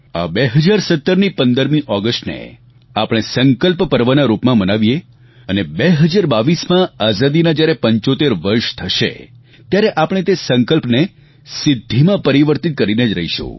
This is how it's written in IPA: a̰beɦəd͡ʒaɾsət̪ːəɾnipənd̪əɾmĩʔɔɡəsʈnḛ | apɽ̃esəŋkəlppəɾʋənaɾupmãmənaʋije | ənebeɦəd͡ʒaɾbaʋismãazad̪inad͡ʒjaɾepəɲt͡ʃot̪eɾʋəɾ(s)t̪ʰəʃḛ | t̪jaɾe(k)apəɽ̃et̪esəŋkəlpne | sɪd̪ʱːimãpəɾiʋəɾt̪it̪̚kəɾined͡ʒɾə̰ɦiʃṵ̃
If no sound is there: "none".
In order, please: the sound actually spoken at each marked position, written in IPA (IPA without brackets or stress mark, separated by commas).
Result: ʃ, ʔ